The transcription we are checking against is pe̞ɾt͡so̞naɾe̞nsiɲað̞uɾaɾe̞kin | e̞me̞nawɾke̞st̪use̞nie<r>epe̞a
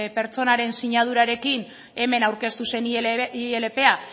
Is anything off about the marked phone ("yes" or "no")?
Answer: yes